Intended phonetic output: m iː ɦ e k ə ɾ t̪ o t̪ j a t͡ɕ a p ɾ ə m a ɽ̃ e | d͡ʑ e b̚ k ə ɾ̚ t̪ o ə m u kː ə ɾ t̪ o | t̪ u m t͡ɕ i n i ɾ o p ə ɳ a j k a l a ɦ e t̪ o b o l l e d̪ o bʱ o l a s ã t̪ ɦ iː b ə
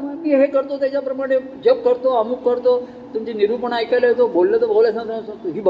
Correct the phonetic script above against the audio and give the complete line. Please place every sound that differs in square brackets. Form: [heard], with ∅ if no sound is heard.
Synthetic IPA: m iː ɦ e k ə ɾ t̪ o t̪ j a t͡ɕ a p ɾ ə m a ɽ̃ e | d͡ʑ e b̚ k ə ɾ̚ t̪ o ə m u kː ə ɾ t̪ o | t̪ u m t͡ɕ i n i ɾ [u] p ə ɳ a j k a l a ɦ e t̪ o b o l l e [t̪] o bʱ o l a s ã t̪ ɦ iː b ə